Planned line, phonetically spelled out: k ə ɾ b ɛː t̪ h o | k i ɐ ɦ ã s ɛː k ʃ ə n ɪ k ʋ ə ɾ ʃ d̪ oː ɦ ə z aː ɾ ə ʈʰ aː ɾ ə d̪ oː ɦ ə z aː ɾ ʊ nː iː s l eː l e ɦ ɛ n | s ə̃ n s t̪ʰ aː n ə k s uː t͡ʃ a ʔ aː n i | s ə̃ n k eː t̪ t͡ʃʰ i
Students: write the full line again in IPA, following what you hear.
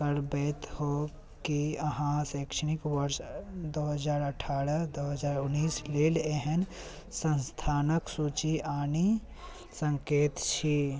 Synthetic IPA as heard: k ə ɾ b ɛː t̪ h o | k i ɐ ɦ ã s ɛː k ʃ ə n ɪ k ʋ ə ɾ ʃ d̪ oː ɦ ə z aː ɾ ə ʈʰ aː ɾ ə d̪ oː ɦ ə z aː ɾ ʊ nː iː s l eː l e ɦ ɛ n | s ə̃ n s t̪ʰ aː n ə k s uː t͡ʃ i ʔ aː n i | s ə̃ ŋ k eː t̪ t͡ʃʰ i